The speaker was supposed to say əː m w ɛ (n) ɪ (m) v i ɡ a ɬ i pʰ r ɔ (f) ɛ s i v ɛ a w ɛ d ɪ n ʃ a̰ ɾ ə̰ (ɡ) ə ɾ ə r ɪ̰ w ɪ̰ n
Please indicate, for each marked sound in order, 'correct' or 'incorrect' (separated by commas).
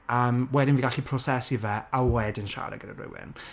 incorrect, incorrect, incorrect, correct